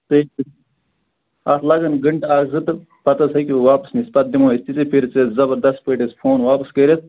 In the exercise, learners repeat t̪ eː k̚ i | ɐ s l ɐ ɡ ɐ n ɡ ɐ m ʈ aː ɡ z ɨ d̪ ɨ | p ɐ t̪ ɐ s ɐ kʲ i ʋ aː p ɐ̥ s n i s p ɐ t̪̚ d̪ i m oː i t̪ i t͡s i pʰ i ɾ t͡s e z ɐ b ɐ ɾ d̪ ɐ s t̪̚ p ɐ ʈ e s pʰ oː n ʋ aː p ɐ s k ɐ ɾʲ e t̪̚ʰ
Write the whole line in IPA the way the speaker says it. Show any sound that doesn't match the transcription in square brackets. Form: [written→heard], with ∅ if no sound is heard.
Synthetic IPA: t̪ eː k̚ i | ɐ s l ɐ ɡ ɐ n ɡ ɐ [m→ɳ] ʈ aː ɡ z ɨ [d̪→t̪] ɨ | p ɐ t̪ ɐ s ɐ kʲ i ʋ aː p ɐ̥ s n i s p ɐ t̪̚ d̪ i m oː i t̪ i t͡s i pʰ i ɾ t͡s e z ɐ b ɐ ɾ d̪ ɐ s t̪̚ p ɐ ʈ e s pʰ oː n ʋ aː p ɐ s k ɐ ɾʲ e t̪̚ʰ